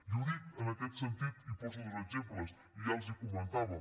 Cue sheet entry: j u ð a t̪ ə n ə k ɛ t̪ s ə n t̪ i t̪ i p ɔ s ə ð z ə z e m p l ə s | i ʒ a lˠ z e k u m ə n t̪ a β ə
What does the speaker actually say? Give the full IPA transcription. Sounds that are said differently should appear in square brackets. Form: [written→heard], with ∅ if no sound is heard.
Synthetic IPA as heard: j u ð [a→i] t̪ ə n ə k ɛ t̪ s ə n t̪ i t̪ i p ɔ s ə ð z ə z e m p l ə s | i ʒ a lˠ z [e→i] k u m ə n t̪ a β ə